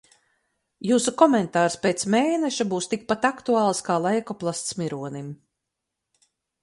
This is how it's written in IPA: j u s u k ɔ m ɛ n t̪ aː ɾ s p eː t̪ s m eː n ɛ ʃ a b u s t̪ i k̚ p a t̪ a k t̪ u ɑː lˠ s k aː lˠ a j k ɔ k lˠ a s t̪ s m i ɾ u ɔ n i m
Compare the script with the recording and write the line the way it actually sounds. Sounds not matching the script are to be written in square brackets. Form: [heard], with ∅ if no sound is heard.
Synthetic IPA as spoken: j [uː] s u k ɔ m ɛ n t̪ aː ɾ s p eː t̪ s m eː n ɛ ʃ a b [uː] s t̪ i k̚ p a t̪ a k t̪ u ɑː lˠ s k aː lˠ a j k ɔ [p] lˠ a s t̪ s m i ɾ u ɔ n i m